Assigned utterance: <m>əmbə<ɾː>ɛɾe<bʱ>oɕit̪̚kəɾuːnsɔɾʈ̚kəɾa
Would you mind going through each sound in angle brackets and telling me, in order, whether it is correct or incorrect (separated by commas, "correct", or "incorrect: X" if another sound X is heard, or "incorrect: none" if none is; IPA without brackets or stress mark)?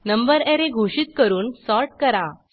incorrect: n, incorrect: ɾ, incorrect: ɡʱ